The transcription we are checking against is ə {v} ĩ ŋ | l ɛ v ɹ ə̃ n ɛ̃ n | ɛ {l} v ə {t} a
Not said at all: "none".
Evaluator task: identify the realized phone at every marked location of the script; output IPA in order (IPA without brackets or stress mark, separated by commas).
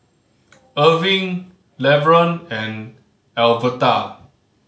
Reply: v, l, t